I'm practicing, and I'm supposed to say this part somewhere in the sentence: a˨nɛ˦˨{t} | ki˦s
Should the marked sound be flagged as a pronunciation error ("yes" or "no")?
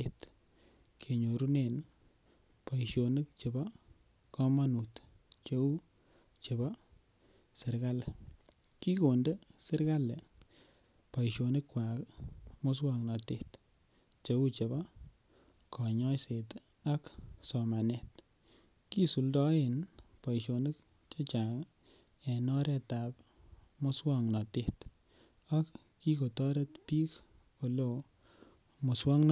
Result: no